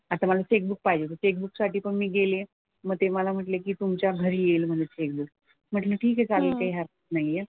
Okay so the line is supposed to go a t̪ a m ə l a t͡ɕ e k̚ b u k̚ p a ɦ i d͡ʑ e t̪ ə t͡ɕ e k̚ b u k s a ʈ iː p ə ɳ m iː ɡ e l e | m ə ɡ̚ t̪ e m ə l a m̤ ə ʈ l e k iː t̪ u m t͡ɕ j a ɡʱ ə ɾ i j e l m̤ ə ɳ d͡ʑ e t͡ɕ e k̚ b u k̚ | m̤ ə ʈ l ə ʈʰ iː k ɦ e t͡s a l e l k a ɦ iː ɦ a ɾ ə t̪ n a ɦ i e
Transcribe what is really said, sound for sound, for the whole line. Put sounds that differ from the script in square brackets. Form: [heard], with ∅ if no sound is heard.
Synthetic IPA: a t̪ a m ə l a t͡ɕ e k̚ b u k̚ p a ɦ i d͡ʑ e t̪ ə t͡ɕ e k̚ b u k s a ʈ iː p ə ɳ m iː ɡ e l e | m ə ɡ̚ t̪ e m ə l a m̤ ə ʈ l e k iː t̪ u m t͡ɕ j a ɡʱ ə ɾ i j e l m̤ ə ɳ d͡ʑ e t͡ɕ e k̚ b u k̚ | m̤ ə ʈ l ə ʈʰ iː k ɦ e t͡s a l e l k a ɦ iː ɦ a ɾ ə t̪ n a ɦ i e